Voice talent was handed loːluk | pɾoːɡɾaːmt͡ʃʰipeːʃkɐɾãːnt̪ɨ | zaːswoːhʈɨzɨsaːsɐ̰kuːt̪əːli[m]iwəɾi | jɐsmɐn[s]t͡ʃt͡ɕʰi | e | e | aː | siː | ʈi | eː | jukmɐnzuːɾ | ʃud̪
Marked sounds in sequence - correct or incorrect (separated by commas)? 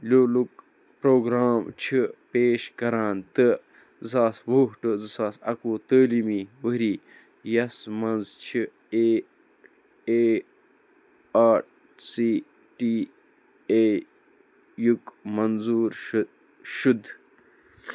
correct, incorrect